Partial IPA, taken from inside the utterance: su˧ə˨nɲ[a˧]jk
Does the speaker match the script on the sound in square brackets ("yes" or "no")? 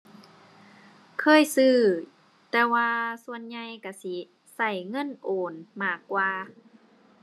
yes